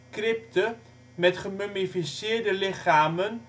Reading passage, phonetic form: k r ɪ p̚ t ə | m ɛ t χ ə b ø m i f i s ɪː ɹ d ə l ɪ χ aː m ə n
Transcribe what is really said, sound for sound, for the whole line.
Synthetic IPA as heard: k r ɪ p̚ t ə | m ɛ t χ ə m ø m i f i s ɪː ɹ d ə l ɪ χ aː m ə n